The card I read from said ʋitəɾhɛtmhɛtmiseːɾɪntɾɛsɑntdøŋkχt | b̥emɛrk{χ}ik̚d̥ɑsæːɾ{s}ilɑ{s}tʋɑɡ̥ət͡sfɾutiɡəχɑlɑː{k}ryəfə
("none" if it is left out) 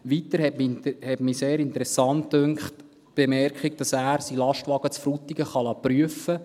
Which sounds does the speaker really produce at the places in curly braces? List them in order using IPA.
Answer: χ, s, ʃ, p

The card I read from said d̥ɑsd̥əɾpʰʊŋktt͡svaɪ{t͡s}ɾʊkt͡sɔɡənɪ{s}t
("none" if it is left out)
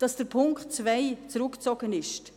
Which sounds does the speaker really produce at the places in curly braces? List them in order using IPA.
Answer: t͡s, ʃ

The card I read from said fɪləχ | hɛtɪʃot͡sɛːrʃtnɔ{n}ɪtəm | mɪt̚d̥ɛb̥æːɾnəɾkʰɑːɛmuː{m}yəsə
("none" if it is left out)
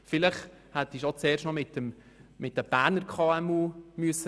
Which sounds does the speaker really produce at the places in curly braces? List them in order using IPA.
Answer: m, m

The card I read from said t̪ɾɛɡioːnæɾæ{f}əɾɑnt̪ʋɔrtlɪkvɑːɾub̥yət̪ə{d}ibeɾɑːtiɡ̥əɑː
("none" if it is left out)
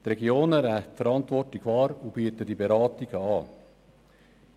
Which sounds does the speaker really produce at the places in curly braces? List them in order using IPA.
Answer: f, d

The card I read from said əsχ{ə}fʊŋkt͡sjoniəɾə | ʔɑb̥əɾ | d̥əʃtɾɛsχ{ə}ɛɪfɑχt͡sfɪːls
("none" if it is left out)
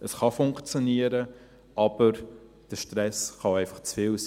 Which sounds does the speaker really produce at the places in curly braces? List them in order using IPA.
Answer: ɑ, ɑ

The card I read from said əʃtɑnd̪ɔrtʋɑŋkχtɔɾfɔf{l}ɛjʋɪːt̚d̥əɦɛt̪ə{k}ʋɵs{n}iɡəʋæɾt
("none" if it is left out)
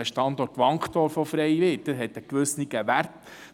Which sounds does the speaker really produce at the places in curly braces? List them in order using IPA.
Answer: ɾ, k, n

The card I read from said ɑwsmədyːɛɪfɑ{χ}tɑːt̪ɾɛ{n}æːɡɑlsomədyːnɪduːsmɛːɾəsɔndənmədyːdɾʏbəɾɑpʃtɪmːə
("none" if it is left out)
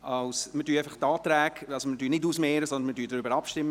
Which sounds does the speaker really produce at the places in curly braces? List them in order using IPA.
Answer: χ, none

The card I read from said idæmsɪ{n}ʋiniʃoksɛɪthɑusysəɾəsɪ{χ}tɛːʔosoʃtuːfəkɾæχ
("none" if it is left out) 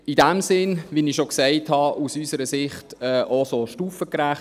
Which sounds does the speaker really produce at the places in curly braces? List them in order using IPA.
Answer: n, χ

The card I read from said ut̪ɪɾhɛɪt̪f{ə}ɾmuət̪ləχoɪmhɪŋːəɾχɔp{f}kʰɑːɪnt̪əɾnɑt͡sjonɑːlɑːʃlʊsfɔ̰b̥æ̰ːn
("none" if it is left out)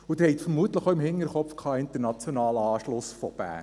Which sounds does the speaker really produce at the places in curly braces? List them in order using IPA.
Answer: ə, f

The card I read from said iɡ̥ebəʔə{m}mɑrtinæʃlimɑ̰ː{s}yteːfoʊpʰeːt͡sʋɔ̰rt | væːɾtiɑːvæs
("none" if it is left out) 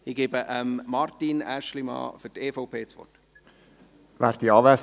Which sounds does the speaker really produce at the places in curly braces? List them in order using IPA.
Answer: m, f

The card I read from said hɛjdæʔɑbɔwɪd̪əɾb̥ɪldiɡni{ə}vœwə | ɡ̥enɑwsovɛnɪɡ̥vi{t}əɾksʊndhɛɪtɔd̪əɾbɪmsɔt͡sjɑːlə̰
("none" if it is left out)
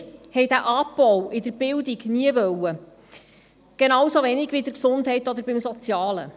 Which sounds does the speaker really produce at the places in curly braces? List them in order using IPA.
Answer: ə, d

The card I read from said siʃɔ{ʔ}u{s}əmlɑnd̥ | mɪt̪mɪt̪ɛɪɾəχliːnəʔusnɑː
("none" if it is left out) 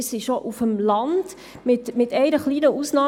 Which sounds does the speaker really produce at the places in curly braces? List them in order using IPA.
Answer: ʔ, f

